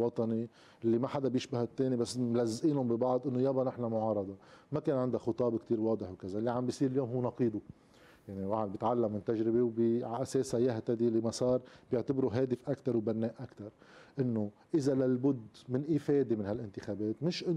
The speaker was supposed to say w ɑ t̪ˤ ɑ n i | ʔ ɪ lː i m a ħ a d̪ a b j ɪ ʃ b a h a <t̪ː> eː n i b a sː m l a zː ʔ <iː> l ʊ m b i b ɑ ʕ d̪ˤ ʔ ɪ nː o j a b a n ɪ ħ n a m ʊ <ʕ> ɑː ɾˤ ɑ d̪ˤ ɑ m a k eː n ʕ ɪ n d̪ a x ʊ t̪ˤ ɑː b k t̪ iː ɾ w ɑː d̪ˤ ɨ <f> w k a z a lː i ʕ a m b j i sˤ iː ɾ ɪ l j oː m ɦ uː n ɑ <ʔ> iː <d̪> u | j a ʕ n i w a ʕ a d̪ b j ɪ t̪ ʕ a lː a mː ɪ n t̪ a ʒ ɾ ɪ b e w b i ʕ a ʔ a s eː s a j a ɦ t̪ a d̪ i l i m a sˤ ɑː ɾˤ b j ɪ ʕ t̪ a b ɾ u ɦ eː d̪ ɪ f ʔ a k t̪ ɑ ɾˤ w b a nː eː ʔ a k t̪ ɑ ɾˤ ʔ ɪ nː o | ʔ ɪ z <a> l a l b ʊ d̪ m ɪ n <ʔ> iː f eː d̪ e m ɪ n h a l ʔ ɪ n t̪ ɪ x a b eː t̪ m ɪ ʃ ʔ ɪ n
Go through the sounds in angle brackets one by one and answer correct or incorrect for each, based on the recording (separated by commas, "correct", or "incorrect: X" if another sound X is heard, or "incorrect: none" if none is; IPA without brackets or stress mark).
correct, correct, correct, incorrect: ħ, incorrect: q, correct, correct, correct